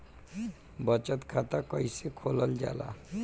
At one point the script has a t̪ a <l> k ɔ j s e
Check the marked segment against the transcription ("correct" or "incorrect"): incorrect